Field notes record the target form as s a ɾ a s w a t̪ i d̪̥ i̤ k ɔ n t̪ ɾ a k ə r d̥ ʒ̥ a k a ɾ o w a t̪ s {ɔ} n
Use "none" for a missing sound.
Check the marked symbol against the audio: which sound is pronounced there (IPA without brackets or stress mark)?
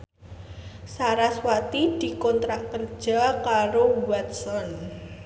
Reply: ɔ